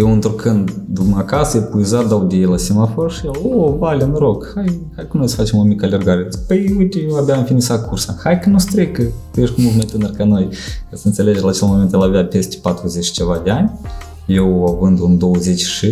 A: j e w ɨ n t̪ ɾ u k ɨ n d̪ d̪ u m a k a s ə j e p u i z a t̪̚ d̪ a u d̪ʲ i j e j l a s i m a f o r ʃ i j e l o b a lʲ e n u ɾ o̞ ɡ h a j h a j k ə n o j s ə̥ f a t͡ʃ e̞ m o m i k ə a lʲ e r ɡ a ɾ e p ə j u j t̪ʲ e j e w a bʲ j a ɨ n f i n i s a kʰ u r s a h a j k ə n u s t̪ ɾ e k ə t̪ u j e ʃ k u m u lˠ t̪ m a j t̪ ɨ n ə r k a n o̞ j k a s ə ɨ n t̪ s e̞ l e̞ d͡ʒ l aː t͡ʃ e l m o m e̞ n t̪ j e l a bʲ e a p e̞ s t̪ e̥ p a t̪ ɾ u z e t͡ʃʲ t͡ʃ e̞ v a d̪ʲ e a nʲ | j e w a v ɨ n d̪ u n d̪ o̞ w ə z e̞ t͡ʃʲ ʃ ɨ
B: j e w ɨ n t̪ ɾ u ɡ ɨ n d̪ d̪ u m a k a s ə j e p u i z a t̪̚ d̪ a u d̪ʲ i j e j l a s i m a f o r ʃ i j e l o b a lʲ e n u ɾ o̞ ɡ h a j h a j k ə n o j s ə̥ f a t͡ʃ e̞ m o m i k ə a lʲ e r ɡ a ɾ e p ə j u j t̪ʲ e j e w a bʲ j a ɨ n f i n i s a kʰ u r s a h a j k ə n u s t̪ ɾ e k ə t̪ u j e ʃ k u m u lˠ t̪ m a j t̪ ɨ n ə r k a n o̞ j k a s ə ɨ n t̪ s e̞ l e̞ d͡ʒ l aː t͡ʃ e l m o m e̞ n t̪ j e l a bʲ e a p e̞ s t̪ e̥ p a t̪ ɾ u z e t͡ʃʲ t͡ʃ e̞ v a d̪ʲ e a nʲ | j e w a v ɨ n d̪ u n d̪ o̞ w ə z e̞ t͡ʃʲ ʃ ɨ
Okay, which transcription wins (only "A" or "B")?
A